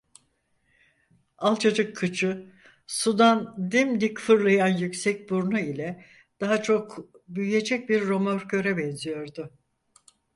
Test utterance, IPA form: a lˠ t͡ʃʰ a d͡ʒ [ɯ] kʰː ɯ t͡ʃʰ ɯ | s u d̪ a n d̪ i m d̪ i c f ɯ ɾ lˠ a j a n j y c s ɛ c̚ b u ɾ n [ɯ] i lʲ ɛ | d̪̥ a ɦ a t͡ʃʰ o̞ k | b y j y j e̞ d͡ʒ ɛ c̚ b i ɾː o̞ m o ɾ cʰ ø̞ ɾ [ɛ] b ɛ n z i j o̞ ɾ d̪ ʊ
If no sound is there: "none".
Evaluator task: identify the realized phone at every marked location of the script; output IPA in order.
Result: ɯ, u, ɛ

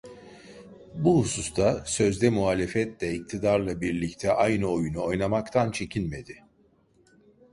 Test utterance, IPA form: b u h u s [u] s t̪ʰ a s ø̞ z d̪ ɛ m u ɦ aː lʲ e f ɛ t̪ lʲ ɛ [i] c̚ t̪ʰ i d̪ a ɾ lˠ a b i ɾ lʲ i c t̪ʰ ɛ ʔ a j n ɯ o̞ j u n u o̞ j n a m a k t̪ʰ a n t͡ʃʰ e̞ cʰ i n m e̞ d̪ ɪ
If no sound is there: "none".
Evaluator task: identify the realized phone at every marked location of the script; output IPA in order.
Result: u, i

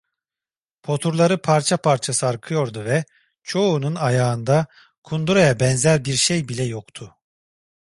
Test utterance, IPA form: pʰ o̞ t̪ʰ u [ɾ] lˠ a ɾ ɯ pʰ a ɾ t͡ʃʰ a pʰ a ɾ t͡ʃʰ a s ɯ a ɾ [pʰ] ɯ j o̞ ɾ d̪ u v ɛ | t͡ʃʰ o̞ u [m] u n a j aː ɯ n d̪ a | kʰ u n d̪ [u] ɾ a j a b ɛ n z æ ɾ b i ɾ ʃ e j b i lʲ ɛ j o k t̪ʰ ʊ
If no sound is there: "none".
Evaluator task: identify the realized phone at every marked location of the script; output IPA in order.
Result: ɾ, kʰ, n, u

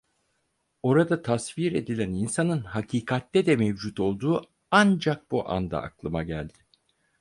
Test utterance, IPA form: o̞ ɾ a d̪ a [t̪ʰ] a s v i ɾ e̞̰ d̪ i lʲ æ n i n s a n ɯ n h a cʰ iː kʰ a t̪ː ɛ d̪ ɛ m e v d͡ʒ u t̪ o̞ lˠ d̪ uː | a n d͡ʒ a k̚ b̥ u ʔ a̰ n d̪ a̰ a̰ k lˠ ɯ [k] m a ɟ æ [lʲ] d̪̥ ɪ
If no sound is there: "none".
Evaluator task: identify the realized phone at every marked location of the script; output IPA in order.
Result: t̪ʰ, none, lʲ

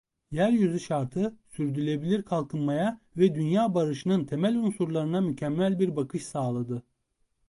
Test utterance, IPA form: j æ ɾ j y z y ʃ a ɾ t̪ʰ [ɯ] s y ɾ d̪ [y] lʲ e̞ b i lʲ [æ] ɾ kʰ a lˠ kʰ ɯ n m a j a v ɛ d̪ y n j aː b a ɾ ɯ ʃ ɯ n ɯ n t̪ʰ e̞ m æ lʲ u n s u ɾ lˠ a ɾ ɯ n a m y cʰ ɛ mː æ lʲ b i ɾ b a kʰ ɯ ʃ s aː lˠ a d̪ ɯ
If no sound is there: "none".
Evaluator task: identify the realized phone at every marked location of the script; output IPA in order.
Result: ɯ, y, i

